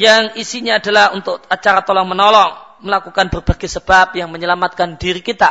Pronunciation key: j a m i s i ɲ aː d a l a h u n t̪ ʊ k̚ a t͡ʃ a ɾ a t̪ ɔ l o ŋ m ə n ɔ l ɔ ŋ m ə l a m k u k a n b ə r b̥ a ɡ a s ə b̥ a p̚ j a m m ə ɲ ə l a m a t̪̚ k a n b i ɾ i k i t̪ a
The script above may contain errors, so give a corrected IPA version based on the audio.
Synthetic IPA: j a ŋ i s i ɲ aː d a l a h u n t̪ ʊ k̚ a t͡ʃ a ɾ a t̪ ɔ l ɔ ŋ m ə n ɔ l ɔ ŋ m ə l a k u k a n b ə r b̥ a ɡ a s ə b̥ a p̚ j a ŋ m ə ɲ ə l a m a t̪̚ k a n d i ɾ i k i t̪ a